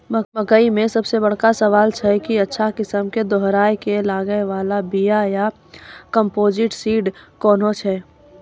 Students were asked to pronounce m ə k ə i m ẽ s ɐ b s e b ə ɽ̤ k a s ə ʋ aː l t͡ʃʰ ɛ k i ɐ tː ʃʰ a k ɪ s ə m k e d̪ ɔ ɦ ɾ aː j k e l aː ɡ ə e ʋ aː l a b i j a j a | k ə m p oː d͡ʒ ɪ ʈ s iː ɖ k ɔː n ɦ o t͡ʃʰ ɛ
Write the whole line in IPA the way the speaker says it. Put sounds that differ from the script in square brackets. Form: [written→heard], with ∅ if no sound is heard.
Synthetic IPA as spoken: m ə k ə i m ẽ s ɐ b s e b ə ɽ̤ k a s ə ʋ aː l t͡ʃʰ ɛ k i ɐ tː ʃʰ a k ɪ s ə m k e d̪ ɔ ɦ ɾ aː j k e l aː ɡ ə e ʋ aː l a b i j a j a | k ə m p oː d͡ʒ ɪ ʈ s iː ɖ k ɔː n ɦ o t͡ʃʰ ɛ